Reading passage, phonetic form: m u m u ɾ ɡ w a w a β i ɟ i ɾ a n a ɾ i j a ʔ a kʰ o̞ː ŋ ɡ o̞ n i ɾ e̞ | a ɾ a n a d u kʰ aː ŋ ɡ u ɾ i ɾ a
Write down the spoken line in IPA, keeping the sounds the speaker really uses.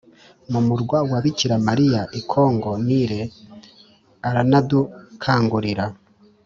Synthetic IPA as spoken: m u m u ɾ ɡ w a w a β i c i ɾ a m a ɾ i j a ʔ i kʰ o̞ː ŋ ɡ o̞ n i ɾ e̞ | a ɾ a n a d u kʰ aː ŋ ɡ u ɾ i ɾ a